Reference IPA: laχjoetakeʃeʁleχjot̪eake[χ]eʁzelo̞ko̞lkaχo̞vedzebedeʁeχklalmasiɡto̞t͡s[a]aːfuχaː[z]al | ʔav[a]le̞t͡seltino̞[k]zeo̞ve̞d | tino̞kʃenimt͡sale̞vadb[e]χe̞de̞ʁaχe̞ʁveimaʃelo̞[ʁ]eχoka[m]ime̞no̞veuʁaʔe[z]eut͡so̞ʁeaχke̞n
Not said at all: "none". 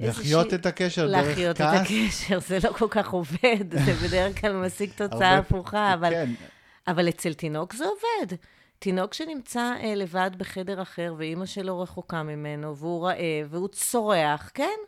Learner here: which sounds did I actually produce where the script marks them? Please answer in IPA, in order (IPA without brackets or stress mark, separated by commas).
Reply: ʃ, a, v, a, k, e, ʁ, m, v